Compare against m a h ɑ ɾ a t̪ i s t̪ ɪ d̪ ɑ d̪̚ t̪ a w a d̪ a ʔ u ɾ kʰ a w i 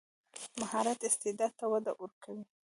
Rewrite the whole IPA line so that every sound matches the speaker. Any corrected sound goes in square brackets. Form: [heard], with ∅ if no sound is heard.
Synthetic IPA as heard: m a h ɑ ɾ a t̪ [ɪ] s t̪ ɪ d̪ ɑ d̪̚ t̪ a w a d̪ a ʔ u ɾ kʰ a w i